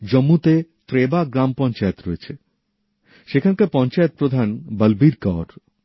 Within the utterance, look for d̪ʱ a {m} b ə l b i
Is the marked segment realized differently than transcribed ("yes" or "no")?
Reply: yes